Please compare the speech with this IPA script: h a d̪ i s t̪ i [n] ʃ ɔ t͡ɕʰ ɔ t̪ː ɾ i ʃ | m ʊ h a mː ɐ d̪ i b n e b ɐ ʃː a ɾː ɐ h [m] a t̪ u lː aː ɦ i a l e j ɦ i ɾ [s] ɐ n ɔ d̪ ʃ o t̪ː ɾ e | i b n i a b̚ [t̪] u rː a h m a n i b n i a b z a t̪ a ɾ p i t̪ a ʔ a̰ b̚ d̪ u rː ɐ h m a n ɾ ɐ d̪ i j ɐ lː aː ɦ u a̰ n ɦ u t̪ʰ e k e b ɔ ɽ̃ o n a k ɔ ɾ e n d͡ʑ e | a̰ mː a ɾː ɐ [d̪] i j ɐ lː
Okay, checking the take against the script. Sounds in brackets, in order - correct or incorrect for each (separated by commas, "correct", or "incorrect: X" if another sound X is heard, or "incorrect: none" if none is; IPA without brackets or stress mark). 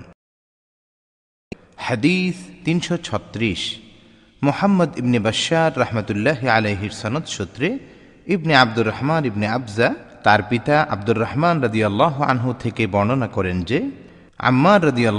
correct, correct, correct, incorrect: d̪, correct